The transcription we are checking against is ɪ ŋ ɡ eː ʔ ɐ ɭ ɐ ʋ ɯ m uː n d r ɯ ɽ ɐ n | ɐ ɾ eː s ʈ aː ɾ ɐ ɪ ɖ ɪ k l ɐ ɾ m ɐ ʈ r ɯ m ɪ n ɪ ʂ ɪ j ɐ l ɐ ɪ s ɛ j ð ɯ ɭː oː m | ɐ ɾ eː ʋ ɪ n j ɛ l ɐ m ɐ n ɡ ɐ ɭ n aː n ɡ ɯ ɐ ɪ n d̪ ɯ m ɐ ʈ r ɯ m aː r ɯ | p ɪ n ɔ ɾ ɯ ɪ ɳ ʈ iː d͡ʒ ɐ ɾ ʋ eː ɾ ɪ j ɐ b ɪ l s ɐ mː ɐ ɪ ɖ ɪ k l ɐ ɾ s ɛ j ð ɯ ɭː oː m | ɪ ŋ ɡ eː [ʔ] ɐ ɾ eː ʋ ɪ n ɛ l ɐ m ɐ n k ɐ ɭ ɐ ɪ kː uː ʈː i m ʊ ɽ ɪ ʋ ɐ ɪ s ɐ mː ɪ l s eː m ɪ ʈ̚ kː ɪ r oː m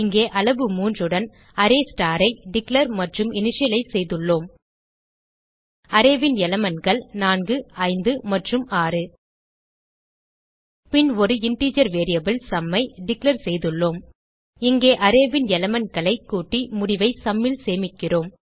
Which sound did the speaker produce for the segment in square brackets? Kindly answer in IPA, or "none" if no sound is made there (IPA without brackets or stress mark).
ʔ